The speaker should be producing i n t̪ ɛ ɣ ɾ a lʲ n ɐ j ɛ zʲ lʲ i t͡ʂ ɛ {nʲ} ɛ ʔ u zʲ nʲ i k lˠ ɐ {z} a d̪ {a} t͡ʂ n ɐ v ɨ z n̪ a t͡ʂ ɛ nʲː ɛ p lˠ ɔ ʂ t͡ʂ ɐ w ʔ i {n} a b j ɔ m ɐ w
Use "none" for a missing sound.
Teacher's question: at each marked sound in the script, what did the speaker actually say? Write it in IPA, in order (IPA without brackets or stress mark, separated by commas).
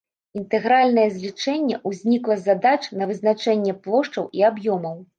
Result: nʲː, z, a, none